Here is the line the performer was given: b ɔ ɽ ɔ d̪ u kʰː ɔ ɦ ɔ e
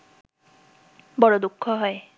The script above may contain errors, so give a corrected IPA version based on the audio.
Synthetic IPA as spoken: b ɔ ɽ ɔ d̪ u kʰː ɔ ɦ ɔ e